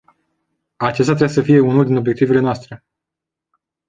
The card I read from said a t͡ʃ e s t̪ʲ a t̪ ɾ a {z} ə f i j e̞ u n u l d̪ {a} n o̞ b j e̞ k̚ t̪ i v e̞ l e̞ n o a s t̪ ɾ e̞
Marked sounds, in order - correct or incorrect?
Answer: incorrect: s, incorrect: i

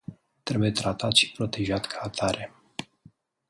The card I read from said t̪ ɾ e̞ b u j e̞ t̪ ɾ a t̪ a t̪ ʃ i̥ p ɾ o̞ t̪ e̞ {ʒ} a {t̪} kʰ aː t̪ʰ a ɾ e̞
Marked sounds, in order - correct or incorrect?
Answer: correct, correct

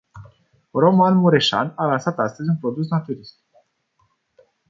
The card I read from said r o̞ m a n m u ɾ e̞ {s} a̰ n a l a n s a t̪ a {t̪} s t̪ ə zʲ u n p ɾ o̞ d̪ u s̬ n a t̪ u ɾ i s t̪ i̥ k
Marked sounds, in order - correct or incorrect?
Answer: incorrect: ʃ, incorrect: none

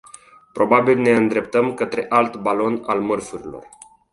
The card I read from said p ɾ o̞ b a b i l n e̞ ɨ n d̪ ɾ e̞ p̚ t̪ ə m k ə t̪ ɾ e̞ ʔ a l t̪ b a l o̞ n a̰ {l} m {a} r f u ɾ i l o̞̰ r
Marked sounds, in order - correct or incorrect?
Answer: correct, incorrect: ə

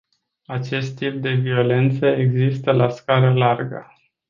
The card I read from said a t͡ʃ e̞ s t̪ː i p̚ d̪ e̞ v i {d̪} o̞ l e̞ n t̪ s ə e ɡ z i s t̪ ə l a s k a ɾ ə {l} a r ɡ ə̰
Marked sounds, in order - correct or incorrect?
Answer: incorrect: none, correct

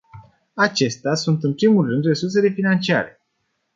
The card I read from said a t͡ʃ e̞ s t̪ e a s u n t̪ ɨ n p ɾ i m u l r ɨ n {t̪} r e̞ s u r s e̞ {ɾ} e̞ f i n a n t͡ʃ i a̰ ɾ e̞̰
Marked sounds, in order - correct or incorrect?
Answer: incorrect: d̪, incorrect: l

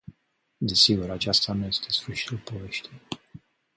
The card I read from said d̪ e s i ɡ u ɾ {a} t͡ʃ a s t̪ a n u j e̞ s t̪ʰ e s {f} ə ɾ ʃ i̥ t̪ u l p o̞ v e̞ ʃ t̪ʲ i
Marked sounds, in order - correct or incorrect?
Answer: correct, correct

